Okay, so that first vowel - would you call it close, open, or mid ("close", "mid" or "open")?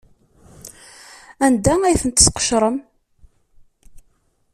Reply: open